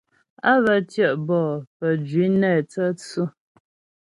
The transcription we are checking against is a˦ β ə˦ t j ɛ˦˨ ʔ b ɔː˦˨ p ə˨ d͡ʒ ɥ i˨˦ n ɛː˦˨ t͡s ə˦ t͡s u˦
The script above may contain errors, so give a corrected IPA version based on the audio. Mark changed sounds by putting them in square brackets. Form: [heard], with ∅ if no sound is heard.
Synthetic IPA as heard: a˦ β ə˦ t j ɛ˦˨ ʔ b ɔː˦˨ p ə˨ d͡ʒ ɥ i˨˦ n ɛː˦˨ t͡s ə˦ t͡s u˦